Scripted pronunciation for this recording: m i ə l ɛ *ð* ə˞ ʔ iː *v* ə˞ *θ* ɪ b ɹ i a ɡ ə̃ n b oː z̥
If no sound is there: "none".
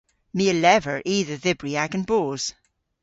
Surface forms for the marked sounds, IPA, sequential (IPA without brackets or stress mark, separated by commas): v, ð, ð